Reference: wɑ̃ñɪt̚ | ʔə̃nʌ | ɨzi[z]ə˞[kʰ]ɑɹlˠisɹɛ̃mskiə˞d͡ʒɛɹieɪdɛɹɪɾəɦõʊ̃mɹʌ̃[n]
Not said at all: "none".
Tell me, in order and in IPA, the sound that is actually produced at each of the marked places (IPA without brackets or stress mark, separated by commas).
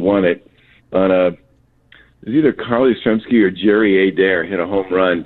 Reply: ð, kʰ, n